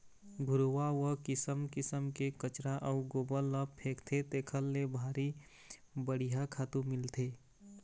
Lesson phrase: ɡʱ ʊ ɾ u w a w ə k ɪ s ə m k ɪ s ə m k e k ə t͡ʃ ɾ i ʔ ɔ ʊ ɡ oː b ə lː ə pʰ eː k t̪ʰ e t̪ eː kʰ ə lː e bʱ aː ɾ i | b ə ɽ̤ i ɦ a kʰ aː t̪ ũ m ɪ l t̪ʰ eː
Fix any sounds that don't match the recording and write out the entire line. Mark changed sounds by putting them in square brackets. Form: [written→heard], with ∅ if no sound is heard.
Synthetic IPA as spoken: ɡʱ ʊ ɾ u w a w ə k ɪ s ə m k ɪ s ə m k e k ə t͡ʃ ɾ [i→a] ʔ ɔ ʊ ɡ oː b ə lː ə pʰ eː k t̪ʰ e t̪ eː kʰ ə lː e bʱ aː ɾ i | b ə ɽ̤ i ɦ a kʰ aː t̪ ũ m ɪ l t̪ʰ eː